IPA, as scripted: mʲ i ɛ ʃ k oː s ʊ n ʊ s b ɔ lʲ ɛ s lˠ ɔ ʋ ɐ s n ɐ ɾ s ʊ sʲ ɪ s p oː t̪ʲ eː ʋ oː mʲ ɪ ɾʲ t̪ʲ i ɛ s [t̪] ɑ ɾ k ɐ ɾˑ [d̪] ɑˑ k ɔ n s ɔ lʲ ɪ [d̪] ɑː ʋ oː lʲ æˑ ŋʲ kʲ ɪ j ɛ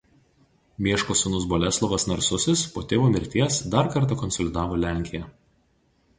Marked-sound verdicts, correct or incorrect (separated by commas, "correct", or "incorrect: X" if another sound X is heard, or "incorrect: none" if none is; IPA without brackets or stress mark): incorrect: d̪, incorrect: t̪, correct